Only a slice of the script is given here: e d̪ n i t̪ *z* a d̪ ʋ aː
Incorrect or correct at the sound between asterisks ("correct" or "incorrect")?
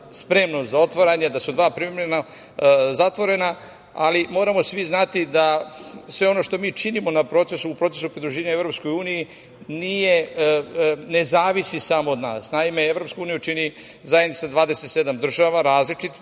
incorrect